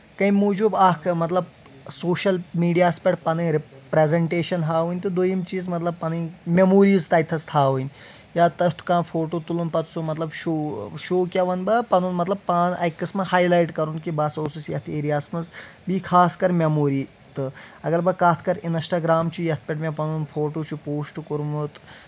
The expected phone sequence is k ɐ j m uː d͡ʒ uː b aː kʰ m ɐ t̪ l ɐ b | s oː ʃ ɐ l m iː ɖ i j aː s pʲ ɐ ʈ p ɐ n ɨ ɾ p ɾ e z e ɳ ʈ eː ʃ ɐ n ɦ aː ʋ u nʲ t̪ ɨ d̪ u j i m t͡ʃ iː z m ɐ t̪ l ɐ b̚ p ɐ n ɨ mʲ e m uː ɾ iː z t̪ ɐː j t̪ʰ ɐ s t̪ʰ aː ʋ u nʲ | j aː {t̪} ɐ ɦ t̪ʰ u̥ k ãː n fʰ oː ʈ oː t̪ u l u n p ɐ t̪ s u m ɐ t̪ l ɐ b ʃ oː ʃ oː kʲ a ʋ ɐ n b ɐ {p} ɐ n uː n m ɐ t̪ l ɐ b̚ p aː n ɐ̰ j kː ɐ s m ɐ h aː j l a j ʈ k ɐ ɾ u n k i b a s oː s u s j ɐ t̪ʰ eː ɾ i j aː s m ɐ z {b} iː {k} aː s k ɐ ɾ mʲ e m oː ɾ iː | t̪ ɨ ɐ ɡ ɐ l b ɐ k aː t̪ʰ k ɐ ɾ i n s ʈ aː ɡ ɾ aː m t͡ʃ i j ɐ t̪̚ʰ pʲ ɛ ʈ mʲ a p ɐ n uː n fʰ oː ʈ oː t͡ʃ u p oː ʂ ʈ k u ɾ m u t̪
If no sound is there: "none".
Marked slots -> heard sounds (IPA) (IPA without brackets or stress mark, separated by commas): t̪, p, b, kʰ